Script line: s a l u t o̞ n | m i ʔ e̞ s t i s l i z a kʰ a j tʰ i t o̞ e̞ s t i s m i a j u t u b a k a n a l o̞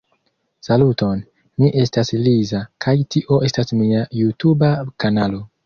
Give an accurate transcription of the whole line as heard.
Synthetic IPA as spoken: s a l u t o̞ n | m i ʔ e̞ s t a s l i z a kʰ a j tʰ i ʔ o̞ e̞ s t a s m i a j u t u b a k a n a l o̞